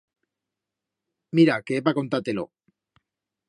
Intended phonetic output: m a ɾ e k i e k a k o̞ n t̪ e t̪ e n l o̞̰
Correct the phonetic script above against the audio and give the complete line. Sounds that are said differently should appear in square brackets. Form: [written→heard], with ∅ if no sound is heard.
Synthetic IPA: m [a→i] ɾ [e→a] k [i→e] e [k→p] a k o̞ n t̪ [e→a] t̪ e [n→∅] l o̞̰